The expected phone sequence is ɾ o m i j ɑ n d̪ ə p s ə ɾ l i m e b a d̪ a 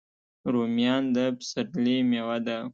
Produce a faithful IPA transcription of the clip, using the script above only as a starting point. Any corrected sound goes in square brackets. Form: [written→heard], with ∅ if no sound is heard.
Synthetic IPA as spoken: ɾ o m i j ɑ n d̪ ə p s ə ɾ l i m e [b→w] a d̪ a